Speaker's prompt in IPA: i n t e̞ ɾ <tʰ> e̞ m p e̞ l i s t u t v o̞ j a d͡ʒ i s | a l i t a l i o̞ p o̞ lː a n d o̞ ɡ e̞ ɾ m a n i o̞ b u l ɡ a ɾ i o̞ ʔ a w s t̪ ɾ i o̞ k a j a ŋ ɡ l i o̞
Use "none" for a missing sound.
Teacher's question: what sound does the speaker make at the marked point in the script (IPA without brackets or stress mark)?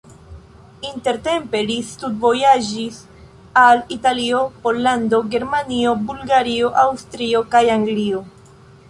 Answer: t